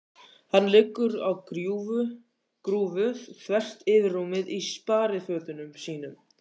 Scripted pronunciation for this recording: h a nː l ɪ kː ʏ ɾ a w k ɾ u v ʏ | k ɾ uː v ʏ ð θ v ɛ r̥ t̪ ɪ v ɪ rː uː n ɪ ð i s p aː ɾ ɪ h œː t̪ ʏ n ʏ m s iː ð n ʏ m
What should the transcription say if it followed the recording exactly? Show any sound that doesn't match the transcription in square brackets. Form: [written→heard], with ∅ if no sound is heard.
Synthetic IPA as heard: h a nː l ɪ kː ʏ ɾ a w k ɾ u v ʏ | k ɾ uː v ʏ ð θ v ɛ r̥ t̪ ɪ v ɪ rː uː [n→m] ɪ ð i s p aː ɾ ɪ [h→f] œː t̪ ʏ n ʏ m s iː [ð→∅] n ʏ m